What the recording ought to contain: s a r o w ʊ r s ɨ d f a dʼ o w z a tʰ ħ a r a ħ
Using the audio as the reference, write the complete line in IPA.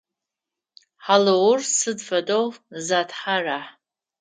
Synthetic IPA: ħ a l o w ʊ r s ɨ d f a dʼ o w z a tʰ ħ a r a ħ